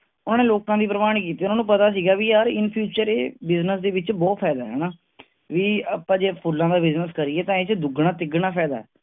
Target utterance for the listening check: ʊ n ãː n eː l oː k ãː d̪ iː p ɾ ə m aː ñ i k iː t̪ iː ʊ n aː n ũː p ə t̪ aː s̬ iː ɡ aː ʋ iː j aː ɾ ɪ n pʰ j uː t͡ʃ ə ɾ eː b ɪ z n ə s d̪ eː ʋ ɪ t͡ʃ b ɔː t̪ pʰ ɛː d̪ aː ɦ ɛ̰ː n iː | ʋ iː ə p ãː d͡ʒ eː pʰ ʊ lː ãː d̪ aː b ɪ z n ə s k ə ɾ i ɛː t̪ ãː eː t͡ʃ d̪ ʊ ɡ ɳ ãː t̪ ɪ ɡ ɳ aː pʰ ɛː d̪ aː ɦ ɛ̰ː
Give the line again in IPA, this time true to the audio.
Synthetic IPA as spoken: ʊ n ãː n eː l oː k ãː d̪ iː p ɾ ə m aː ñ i k iː t̪ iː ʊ n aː n ũː p ə t̪ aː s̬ iː ɡ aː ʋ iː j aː ɾ ɪ n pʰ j uː t͡ʃ ə ɾ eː b ɪ z n ə s d̪ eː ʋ ɪ t͡ʃ b ɔː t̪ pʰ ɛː d̪ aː ɦ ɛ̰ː n aː | ʋ iː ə p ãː d͡ʒ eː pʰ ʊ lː ãː d̪ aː b ɪ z n ə s k ə ɾ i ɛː t̪ ãː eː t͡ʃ d̪ ʊ ɡ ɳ aː t̪ ɪ ɡ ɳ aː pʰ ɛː d̪ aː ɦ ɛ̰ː

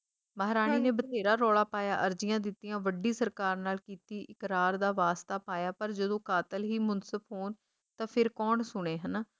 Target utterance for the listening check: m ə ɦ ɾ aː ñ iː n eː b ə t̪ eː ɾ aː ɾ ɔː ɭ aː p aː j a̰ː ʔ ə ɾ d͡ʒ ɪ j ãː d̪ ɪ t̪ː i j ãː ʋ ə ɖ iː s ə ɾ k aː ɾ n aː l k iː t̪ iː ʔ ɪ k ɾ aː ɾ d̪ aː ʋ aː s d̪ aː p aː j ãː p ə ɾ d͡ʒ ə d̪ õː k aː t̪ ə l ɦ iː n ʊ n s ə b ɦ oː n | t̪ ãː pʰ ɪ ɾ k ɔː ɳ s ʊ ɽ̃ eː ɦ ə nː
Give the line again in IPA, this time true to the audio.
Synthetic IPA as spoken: m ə ɦ ɾ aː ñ iː n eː b ə t̪ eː ɾ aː ɾ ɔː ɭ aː p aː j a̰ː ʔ ə ɾ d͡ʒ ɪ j ãː d̪ ɪ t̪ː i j ãː ʋ ə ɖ iː s ə ɾ k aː ɾ n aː l k iː t̪ iː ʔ ɪ k ɾ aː ɾ d̪ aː ʋ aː s t̪ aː p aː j aː p ə ɾ d͡ʒ ə d̪ õː k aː t̪ ə l ɦ iː m ʊ n s ə b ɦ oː n | t̪ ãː pʰ ɪ ɾ k ɔː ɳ s ʊ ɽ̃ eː ɦ ə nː

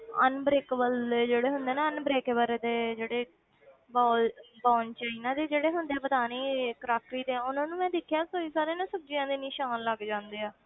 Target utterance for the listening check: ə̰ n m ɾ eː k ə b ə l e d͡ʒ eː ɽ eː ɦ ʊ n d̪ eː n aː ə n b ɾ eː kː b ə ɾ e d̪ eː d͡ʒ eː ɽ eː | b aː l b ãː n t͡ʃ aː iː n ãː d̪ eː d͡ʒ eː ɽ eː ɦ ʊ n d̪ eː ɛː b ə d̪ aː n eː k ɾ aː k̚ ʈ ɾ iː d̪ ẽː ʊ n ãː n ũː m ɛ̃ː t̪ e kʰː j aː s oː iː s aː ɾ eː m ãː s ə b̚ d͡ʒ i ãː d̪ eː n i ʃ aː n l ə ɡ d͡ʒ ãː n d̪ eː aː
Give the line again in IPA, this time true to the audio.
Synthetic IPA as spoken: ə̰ n b ɾ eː k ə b ə l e d͡ʒ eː ɽ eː ɦ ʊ n d̪ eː n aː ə n b ɾ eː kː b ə ɾ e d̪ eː d͡ʒ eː ɽ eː | b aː l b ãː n t͡ʃ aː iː n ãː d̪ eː d͡ʒ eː ɽ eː ɦ ʊ n d̪ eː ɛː b ə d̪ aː n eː k ɾ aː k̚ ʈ ɾ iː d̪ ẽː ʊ n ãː n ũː m ɛ̃ː d̪ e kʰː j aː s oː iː s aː ɾ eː n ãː s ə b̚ d͡ʒ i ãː d̪ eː n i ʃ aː n l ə ɡ d͡ʒ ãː n d̪ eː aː

